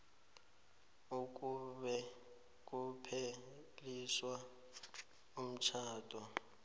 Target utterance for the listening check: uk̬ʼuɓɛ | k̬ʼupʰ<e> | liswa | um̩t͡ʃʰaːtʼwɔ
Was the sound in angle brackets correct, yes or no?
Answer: yes